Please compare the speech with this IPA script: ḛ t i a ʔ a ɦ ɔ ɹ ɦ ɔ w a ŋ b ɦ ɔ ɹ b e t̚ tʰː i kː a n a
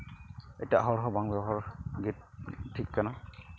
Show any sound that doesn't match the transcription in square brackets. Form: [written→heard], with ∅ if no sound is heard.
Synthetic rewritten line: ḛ t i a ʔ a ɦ ɔ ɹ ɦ ɔ [w→b] a ŋ b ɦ ɔ ɹ [b→ɡ] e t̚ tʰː i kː a n a